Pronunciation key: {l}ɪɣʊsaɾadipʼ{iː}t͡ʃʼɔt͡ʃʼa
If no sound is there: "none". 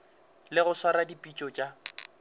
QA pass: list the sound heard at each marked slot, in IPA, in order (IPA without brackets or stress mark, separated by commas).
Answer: l, i